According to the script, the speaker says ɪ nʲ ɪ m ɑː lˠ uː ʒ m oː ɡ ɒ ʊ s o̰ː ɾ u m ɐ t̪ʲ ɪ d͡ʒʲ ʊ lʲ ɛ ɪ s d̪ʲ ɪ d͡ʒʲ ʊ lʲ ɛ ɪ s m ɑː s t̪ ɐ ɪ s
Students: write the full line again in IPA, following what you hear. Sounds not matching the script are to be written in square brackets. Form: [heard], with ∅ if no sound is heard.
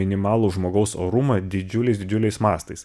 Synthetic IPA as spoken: ɪ nʲ ɪ m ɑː lˠ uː ʒ m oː ɡ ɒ ʊ s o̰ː ɾ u m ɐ [d̪ʲ] ɪ d͡ʒʲ ʊ lʲ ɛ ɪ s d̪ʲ ɪ d͡ʒʲ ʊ lʲ ɛ ɪ s m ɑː s t̪ ɐ ɪ s